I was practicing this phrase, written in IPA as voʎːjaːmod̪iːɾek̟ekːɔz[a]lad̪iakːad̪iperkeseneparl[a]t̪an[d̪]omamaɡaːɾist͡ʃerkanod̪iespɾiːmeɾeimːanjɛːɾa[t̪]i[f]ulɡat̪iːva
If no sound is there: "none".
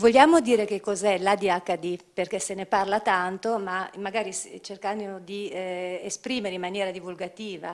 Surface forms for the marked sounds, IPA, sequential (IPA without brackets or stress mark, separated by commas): ɛ, a, t̪, d̪, v